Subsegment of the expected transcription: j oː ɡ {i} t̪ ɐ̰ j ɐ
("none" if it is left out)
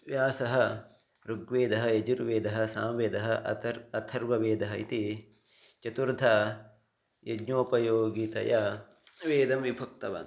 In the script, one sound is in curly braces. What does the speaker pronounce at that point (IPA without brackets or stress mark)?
i